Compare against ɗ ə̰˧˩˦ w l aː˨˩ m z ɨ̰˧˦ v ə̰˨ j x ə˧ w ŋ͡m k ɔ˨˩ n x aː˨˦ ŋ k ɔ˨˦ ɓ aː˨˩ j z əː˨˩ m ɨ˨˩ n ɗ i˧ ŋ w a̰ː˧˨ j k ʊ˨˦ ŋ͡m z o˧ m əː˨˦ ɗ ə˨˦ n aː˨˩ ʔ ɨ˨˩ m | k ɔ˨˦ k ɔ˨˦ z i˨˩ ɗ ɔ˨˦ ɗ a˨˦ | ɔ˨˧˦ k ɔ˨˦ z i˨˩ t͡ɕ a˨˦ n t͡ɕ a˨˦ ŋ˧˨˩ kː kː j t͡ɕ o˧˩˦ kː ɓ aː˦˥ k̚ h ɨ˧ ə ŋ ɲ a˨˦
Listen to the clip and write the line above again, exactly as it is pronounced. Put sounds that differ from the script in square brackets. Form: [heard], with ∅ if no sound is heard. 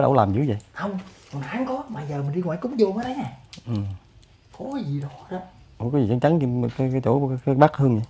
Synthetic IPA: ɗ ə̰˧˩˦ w l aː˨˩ m z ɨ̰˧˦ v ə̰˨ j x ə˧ w ŋ͡m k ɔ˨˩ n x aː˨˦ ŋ k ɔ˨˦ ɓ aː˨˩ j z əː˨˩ m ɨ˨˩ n ɗ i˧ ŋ w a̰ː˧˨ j k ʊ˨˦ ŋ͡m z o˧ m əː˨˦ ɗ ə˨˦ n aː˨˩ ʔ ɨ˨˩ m | k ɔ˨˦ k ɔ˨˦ z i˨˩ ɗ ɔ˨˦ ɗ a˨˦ | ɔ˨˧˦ k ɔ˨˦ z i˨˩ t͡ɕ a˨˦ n t͡ɕ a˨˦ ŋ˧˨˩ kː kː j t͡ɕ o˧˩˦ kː ɓ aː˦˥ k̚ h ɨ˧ ə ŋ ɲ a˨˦